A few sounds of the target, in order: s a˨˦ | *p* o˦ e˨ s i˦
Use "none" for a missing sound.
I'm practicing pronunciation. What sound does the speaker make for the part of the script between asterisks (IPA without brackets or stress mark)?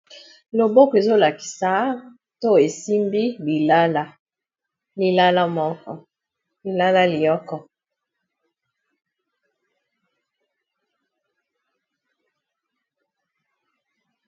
t